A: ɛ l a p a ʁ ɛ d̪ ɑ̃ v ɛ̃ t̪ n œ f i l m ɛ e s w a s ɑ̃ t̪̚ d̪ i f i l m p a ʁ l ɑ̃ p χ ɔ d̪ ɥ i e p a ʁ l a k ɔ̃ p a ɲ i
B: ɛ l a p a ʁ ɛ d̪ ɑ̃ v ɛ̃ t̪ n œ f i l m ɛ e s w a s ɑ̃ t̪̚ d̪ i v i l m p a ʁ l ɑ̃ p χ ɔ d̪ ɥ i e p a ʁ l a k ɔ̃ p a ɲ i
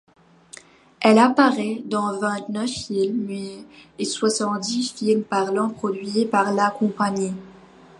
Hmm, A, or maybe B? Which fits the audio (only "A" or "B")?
A